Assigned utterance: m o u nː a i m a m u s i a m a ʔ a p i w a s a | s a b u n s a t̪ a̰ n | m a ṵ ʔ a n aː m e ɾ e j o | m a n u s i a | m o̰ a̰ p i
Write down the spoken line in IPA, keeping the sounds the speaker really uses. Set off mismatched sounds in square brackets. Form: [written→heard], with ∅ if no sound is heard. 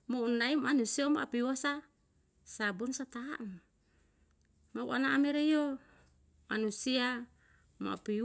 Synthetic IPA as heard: m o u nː a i m a [m→n] u s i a m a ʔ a p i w a s a | s a b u n s a t̪ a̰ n | m a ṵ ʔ a n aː m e ɾ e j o | m a n u s i a | m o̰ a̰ p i